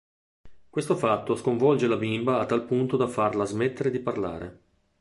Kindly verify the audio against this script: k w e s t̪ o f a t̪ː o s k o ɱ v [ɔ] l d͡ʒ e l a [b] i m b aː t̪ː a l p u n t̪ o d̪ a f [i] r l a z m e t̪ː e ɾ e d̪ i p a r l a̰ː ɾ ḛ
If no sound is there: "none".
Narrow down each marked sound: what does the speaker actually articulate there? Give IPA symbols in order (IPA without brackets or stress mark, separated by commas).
ɔ, b, a